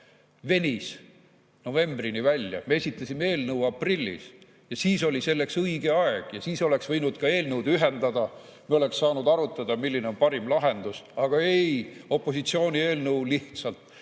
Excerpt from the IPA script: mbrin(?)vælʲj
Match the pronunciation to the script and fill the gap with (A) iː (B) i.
B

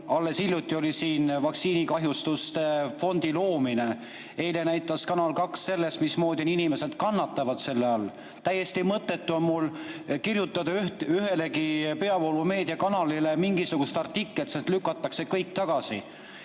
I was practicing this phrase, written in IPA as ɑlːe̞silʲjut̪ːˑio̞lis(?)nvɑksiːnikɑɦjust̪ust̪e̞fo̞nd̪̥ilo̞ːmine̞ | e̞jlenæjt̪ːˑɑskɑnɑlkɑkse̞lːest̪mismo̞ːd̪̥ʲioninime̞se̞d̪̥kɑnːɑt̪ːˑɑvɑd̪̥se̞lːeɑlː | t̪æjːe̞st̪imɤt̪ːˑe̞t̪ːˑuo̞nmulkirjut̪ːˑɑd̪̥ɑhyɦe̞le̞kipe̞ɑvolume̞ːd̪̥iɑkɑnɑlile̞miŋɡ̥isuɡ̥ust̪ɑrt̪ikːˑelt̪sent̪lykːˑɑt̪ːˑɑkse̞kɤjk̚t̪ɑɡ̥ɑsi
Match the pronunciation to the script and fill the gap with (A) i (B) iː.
B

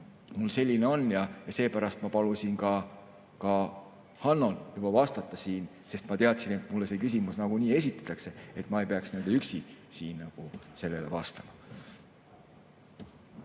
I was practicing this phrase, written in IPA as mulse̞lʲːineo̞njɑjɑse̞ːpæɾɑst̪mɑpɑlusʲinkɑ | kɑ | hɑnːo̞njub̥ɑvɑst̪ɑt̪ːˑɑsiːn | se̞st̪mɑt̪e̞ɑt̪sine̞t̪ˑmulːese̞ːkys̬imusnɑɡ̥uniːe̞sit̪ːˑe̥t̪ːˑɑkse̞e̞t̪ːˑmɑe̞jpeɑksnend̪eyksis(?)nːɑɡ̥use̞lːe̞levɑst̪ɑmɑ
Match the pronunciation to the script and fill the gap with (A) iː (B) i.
A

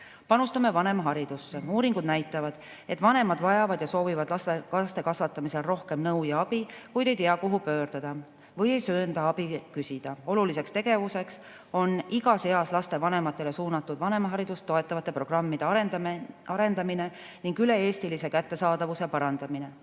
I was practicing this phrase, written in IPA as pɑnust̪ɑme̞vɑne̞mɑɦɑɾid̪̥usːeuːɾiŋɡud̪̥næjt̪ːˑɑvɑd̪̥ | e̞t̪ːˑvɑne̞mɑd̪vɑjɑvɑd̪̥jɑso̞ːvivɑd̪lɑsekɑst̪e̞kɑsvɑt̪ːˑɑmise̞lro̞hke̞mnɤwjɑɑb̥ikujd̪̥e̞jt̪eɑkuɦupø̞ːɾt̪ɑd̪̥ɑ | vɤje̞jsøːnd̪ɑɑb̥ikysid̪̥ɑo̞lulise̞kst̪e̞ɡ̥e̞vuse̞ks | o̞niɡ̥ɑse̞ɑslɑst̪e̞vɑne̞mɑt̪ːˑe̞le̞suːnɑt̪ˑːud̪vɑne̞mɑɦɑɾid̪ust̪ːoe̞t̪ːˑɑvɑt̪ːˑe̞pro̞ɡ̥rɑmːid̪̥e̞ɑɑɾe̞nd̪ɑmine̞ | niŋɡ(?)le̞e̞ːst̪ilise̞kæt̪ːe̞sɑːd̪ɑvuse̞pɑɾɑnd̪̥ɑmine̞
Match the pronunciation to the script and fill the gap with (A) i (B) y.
B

